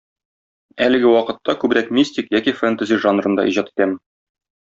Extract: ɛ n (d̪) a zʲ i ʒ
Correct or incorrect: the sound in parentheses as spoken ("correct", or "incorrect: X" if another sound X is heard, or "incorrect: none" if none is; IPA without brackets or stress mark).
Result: incorrect: t̪